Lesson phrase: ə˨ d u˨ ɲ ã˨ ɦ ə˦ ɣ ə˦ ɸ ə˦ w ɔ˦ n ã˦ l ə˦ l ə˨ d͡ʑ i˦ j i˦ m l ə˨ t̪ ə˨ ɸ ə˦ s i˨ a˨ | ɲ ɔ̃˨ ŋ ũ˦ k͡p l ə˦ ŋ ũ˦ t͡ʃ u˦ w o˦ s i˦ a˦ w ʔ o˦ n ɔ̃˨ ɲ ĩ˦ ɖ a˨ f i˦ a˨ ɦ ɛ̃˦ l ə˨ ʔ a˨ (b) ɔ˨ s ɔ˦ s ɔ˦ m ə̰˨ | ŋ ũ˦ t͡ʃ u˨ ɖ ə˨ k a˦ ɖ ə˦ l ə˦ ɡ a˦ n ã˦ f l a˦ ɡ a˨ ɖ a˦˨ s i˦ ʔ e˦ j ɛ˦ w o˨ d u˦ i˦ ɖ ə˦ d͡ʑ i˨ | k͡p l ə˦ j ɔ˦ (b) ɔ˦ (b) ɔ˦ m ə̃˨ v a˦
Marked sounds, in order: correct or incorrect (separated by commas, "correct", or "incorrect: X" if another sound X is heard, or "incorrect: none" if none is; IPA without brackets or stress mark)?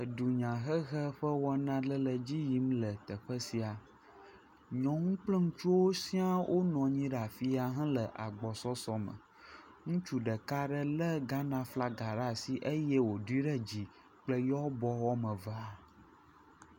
incorrect: ɡ͡b, correct, incorrect: w